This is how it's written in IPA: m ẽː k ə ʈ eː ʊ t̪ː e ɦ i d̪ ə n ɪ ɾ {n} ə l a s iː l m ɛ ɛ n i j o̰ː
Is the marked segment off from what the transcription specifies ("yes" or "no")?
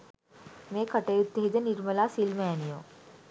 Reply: yes